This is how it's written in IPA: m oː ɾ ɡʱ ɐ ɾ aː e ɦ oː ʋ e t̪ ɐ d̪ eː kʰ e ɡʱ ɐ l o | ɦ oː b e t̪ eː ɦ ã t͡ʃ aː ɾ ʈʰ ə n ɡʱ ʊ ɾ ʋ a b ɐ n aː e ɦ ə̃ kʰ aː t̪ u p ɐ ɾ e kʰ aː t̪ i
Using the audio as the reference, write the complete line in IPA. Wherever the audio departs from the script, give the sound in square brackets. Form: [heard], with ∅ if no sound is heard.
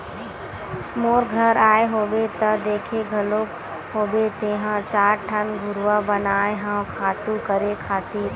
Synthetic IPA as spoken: m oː ɾ ɡʱ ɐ ɾ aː e ɦ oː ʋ e t̪ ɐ d̪ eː kʰ e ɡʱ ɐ l o | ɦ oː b e t̪ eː ɦ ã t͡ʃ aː ɾ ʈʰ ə n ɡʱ ʊ ɾ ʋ a b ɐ n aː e ɦ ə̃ kʰ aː t̪ u [k] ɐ ɾ e kʰ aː t̪ i